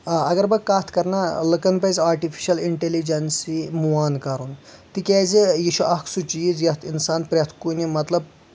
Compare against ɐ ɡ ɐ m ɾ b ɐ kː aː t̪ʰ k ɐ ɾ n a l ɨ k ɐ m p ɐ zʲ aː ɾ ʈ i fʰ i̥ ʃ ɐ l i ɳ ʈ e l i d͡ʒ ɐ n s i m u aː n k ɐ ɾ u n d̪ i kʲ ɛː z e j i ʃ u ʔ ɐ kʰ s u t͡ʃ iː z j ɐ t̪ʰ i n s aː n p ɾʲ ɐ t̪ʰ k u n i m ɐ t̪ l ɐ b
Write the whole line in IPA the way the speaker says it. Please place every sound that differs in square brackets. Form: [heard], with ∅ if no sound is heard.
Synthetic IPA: ɐ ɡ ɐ [∅] ɾ b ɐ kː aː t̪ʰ k ɐ ɾ n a l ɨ k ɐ [n] p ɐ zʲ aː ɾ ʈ i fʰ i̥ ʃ ɐ l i ɳ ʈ e l i d͡ʒ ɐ n s i m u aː n k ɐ ɾ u n [t̪] i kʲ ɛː z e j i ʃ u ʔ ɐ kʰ s u t͡ʃ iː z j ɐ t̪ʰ i n s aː n p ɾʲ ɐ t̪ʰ k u n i m ɐ t̪ l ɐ b

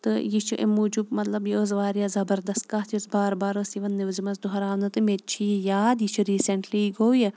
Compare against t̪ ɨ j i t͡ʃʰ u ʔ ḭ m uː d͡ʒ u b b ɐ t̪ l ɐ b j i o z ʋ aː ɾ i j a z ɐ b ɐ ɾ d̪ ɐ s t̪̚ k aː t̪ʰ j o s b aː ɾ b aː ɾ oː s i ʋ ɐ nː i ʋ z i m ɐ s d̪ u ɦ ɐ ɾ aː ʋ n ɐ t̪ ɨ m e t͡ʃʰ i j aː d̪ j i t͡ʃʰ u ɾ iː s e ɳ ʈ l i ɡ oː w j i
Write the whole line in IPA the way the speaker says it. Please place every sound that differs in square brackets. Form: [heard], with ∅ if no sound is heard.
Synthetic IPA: t̪ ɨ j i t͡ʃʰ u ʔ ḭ m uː d͡ʒ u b [m] ɐ t̪ l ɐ b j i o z ʋ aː ɾ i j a z ɐ b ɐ ɾ d̪ ɐ s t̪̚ k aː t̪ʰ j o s b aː ɾ b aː ɾ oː s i ʋ ɐ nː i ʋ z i m ɐ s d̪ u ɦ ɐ ɾ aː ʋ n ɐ t̪ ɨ m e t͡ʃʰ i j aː d̪ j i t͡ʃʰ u ɾ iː s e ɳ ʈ l i ɡ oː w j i

